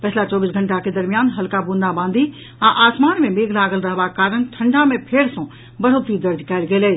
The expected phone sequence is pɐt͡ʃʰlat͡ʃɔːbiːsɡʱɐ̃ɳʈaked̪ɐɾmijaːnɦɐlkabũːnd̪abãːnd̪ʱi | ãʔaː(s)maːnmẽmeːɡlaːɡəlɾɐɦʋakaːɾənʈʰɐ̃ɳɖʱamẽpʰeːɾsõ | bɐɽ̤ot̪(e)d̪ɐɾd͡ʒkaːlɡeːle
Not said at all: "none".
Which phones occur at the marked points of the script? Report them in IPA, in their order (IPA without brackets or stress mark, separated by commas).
s, i